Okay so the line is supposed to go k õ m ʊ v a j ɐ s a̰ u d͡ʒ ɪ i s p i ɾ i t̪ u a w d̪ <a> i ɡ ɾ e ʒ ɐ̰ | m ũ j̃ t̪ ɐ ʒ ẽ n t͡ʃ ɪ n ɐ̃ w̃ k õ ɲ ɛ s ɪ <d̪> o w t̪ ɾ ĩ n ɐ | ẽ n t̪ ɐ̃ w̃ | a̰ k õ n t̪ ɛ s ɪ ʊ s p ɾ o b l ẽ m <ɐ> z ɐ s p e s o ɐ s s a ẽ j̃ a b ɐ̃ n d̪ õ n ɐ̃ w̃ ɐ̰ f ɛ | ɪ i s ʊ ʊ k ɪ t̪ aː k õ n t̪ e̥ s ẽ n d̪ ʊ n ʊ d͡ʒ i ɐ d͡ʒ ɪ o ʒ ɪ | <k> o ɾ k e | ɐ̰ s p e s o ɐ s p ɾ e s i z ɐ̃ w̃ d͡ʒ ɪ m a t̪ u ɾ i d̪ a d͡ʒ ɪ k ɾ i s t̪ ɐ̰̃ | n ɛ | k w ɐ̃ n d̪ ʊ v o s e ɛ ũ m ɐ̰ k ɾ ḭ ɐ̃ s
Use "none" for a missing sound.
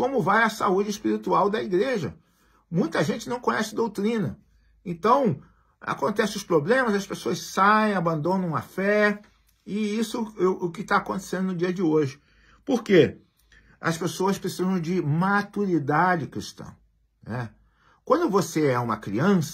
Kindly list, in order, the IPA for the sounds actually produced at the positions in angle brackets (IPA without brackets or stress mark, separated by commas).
ɐ, d̪, ɐ, p